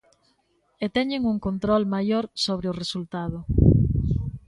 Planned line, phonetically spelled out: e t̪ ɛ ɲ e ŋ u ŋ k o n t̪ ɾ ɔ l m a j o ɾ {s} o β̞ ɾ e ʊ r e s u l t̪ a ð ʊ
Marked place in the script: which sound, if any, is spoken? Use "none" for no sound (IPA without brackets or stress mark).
s